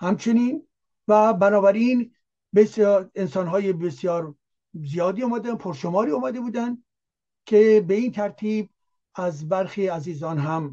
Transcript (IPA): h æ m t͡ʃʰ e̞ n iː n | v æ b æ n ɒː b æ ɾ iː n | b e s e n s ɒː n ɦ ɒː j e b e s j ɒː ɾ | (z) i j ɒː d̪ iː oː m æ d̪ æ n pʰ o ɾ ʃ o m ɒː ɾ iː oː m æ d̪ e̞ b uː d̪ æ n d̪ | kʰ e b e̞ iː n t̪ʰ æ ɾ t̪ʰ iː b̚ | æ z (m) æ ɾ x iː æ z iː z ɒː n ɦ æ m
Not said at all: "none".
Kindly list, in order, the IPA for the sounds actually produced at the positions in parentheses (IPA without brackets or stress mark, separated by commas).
z, b